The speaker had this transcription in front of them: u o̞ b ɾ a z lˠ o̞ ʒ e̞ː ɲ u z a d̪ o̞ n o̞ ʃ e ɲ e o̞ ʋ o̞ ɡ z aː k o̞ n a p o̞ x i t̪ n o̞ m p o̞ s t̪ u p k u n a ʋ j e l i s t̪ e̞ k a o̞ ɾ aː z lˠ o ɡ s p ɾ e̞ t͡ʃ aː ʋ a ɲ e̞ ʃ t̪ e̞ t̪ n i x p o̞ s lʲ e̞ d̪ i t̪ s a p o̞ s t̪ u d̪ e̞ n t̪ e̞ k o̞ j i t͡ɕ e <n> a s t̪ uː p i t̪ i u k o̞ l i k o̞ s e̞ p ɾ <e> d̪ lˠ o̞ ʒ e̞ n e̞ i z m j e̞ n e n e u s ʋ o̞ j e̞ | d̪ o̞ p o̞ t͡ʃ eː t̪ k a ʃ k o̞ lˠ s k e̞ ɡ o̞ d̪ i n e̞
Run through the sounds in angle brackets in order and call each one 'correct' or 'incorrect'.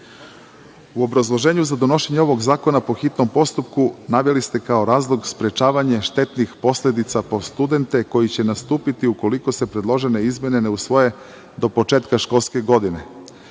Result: correct, correct

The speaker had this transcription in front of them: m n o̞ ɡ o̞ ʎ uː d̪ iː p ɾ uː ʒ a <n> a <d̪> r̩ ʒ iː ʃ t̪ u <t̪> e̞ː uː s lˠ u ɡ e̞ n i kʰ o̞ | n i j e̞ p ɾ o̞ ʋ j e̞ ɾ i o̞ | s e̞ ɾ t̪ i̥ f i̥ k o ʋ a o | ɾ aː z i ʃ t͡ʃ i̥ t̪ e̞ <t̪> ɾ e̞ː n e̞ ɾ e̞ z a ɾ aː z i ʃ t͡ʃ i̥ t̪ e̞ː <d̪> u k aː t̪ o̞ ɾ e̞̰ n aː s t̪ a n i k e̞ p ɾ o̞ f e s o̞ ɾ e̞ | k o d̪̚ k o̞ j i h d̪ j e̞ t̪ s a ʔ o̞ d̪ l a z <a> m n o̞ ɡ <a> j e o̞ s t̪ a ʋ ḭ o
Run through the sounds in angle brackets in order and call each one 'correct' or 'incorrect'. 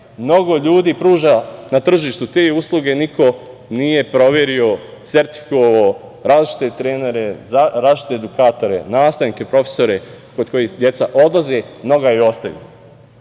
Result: correct, incorrect: t̪, correct, correct, correct, incorrect: e, correct

